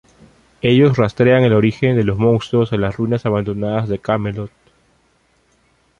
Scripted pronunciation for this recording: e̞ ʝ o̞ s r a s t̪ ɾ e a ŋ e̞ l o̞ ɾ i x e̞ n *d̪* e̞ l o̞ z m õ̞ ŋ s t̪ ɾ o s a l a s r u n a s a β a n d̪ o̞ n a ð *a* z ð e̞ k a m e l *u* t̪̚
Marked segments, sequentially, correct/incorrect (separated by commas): correct, correct, incorrect